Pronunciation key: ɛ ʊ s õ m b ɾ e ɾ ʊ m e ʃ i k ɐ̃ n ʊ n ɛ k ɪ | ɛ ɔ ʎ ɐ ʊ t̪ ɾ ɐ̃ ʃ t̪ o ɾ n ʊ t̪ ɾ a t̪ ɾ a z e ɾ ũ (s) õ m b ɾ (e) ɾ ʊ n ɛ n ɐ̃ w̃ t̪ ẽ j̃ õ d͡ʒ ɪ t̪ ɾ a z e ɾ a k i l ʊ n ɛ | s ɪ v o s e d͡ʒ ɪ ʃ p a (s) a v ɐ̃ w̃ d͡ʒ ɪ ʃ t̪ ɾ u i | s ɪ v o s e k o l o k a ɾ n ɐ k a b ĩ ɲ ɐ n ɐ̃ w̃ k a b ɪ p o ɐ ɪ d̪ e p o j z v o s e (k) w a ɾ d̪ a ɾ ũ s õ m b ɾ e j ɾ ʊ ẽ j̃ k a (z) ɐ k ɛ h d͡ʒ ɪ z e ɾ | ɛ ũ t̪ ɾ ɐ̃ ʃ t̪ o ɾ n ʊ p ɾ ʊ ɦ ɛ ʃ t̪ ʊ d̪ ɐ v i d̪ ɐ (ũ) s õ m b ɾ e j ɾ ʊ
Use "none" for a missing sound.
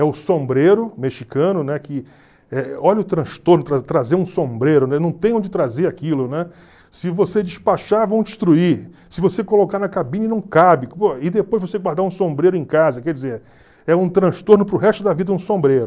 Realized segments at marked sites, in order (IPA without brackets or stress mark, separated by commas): s, e, ʃ, ɡ, z, ũ